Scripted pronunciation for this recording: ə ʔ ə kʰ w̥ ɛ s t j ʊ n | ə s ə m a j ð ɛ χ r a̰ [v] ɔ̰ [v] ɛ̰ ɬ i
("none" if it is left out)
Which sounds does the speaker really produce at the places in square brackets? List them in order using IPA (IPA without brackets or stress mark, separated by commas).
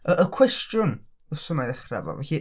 v, v